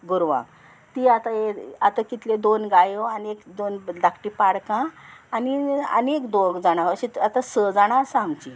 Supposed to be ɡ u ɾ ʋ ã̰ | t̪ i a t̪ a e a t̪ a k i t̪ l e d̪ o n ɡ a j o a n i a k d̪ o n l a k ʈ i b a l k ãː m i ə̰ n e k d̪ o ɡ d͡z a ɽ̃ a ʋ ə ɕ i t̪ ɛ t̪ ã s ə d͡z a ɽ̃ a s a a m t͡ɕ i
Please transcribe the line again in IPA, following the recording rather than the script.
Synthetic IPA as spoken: ɡ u ɾ ʋ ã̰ | t̪ i a t̪ a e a t̪ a k i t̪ l e d̪ o n ɡ a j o a n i e k d̪ o n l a k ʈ i p a ɽ k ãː n i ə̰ n e k d̪ o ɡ d͡z a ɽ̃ a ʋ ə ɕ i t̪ a t̪ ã s ə d͡z a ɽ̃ a s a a m t͡ɕ i